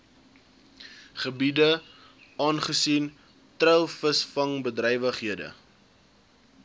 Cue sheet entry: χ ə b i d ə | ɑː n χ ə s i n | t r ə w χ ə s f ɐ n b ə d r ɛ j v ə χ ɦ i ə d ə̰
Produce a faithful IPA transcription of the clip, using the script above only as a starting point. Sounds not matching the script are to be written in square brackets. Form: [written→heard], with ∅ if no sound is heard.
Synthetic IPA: χ ə b i d ə | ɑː n χ ə s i n | t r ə w [χ→f] ə s f ɐ [n→ŋ] b ə d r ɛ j v ə χ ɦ i ə d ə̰